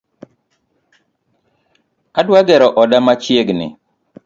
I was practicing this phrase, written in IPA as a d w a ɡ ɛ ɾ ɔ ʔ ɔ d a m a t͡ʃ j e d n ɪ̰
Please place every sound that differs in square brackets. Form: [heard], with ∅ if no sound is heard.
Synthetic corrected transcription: a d w a ɡ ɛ ɾ ɔ ʔ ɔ d a m a t͡ʃ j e [ɡ] n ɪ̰